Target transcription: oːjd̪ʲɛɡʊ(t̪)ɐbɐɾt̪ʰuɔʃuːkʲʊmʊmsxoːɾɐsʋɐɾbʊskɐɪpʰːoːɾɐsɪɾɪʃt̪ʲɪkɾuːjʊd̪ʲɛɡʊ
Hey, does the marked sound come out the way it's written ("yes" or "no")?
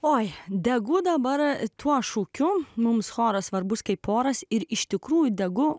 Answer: no